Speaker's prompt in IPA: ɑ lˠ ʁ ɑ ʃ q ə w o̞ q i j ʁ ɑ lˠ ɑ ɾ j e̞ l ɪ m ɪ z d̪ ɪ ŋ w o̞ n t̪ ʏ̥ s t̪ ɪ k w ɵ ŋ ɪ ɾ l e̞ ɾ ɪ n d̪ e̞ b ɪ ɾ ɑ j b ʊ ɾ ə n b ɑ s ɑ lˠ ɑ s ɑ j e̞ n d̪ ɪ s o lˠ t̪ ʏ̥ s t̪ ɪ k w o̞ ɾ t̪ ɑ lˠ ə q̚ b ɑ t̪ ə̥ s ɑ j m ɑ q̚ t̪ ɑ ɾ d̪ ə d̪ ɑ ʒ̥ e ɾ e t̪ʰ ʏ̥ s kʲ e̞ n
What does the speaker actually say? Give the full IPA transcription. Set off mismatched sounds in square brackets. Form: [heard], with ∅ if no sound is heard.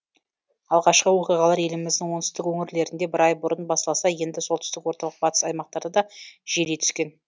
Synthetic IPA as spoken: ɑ lˠ ʁ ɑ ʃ q ə w o̞ q i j ʁ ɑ lˠ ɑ ɾ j e̞ l ɪ m ɪ z d̪ ɪ ŋ w o̞ n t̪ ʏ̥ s t̪ ɪ k w ɵ ŋ ɪ ɾ l e̞ ɾ ɪ n d̪ e̞ b ɪ ɾ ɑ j b ʊ ɾ ə n b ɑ s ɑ lˠ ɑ s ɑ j e̞ n d̪ ɪ s o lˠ t̪ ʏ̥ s t̪ ɪ k w o̞ ɾ t̪ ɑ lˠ ə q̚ b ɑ t̪ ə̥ s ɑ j m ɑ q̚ t̪ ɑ ɾ d̪ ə d̪ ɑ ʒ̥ e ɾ e t̪ʰ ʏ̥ s kʲ e̞ n

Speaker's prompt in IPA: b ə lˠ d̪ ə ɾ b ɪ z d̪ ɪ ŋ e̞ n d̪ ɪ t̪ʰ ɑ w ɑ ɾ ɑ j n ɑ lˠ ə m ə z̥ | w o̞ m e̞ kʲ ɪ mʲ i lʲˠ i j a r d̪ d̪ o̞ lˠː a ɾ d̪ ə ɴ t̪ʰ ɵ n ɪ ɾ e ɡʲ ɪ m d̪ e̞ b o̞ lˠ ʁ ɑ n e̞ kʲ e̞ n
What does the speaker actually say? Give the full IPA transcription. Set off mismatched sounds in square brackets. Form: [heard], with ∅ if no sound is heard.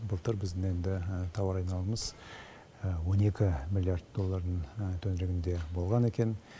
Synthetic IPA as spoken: b ə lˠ [t̪] ə ɾ b ɪ z d̪ ɪ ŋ e̞ n d̪ ɪ t̪ʰ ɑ w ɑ ɾ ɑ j n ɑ lˠ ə m ə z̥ | w o̞ [n] e̞ kʲ ɪ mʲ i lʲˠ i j a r d̪ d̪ o̞ lˠː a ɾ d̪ ə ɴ t̪ʰ ɵ n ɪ ɾ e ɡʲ ɪ [n] d̪ e̞ b o̞ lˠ ʁ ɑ n e̞ kʲ e̞ n

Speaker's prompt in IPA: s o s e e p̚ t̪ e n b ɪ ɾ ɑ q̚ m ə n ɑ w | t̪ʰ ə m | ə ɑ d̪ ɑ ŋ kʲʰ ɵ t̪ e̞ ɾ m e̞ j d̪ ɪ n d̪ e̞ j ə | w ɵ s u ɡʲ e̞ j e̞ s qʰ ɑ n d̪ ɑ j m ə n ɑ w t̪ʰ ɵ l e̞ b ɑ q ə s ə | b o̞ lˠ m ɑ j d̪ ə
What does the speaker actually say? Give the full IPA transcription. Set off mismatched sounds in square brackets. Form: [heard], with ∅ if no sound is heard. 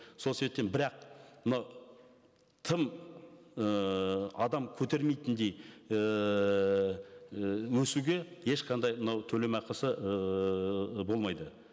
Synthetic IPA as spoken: s o s e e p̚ t̪ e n b ɪ ɾ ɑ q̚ m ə n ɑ w | t̪ʰ ə m | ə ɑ d̪ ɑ [m] kʲʰ ɵ t̪ e̞ ɾ m e̞ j [t̪] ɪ n d̪ e̞ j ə | w ɵ s u ɡʲ e̞ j e̞ [ʃ] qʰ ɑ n d̪ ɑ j m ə n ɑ w t̪ʰ ɵ l e̞ [m] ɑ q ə s ə | b o̞ lˠ m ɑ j d̪ ə

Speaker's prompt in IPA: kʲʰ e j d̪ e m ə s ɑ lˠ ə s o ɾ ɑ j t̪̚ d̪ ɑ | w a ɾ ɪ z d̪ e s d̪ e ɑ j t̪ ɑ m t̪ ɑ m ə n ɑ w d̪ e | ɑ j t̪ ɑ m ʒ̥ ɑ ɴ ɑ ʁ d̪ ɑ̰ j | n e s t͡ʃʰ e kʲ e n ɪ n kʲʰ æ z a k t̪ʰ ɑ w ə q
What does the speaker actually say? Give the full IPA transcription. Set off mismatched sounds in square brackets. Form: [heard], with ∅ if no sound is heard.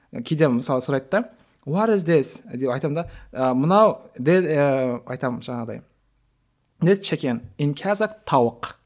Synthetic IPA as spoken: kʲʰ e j d̪ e m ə s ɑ lˠ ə s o ɾ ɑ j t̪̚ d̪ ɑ | w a ɾ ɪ z d̪ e s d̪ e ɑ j t̪ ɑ m [d̪] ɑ m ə n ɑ w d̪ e | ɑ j t̪ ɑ m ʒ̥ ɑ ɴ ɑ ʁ d̪ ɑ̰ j | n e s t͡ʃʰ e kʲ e n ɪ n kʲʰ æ z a k t̪ʰ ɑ w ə q

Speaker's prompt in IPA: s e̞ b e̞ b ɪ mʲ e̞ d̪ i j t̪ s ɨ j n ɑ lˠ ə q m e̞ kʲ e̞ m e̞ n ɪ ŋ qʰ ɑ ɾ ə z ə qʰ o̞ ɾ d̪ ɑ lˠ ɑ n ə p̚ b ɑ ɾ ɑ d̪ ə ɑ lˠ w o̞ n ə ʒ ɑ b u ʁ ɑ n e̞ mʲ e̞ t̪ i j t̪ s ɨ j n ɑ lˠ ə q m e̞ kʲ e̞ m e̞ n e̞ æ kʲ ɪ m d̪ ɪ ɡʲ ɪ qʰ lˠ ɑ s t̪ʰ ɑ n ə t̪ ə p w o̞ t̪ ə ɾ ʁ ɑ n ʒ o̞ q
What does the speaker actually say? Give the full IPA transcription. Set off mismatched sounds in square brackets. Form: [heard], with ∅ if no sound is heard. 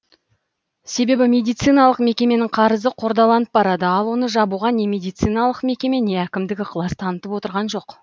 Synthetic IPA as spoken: s e̞ b e̞ b ɪ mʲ e̞ d̪ i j t̪ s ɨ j n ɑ lˠ ə q m e̞ kʲ e̞ m e̞ n ɪ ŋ qʰ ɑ ɾ ə z ə qʰ o̞ ɾ d̪ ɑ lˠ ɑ n ə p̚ b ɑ ɾ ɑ d̪ ə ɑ lˠ w o̞ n ə ʒ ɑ b u ʁ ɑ n e̞ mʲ e̞ [d̪] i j t̪ s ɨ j n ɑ lˠ ə q m e̞ kʲ e̞ m e̞ n e̞ æ kʲ ɪ m d̪ ɪ ɡʲ ɪ qʰ lˠ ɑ s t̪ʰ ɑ n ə t̪ ə p w o̞ t̪ ə ɾ ʁ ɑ n ʒ o̞ q

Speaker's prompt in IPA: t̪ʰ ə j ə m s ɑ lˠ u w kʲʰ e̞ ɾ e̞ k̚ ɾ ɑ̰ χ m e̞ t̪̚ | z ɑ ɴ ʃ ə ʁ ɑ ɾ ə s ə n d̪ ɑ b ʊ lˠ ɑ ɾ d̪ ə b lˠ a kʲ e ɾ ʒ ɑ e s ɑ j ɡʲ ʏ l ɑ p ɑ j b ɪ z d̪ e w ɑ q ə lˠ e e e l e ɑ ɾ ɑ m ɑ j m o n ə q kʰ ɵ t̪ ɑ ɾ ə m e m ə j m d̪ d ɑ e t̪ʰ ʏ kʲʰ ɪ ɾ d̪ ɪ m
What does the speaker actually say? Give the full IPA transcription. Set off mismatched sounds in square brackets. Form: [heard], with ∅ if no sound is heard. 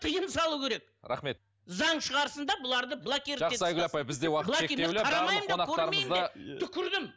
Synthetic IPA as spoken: t̪ʰ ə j ə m s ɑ lˠ u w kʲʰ e̞ ɾ e̞ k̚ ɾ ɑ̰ χ m e̞ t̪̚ | z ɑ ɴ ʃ ə ʁ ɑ ɾ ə s ə n d̪ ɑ b ʊ lˠ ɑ ɾ d̪ ə b lˠ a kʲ e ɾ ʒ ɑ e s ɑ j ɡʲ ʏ l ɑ p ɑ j b ɪ z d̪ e w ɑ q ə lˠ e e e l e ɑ ɾ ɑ m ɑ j m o n [ɑ] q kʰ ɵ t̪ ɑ ɾ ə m e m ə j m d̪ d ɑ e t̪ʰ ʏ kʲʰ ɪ ɾ d̪ ɪ m

